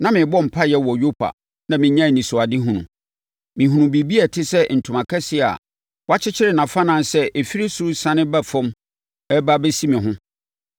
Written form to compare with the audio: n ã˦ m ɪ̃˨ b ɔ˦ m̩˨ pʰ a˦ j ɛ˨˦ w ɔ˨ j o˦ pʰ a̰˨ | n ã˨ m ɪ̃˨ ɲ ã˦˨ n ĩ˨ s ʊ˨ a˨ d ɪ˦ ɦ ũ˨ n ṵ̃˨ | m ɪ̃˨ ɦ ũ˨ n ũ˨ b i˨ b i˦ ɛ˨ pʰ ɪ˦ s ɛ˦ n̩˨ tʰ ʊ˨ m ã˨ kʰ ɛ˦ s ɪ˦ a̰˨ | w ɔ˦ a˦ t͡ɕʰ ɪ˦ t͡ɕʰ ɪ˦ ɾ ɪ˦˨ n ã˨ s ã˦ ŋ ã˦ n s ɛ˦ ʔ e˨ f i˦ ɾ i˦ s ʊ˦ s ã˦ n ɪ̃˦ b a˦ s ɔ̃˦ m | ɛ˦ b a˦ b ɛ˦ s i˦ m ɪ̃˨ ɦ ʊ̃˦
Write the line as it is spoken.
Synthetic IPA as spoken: n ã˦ m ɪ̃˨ b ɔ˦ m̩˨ pʰ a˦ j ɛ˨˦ w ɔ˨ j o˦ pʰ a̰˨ | n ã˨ m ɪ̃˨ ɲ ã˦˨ n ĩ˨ s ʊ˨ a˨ d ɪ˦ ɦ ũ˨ n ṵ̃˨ | m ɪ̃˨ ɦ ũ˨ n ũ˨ b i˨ b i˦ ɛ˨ tʰ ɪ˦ s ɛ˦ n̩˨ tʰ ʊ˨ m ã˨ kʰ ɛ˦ s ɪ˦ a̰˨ | w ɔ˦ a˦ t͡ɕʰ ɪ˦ t͡ɕʰ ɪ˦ ɾ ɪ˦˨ n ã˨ f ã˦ n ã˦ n s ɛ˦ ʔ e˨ f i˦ ɾ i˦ s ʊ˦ s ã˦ n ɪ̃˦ b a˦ f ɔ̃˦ m | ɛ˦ b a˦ b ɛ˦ s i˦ m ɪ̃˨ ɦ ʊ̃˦